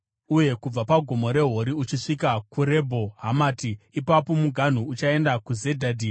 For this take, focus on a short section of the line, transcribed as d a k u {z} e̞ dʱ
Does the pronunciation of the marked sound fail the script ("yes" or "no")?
no